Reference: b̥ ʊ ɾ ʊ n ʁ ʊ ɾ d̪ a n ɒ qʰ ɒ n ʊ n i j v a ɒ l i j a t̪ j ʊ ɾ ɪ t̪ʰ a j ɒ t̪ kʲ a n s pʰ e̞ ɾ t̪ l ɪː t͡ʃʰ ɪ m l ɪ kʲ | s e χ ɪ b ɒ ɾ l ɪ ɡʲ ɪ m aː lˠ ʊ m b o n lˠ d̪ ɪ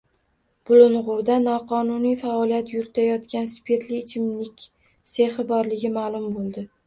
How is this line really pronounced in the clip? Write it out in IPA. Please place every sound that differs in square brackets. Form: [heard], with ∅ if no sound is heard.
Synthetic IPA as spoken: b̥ ʊ [l] ʊ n ʁ ʊ ɾ d̪ a n ɒ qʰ ɒ n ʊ n i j [f] a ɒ l i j a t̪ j ʊ ɾ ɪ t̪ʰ a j ɒ t̪ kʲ a n s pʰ e̞ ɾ t̪ l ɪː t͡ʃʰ ɪ m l ɪ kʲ | s e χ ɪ b ɒ ɾ l ɪ ɡʲ ɪ m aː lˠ ʊ m b o [∅] lˠ d̪ ɪ